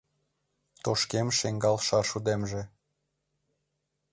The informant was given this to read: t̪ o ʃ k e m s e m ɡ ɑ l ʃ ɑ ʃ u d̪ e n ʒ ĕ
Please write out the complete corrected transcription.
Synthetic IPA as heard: t̪ o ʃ k e m ʃ e ŋ ɡ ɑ l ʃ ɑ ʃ u d̪ e m ʒ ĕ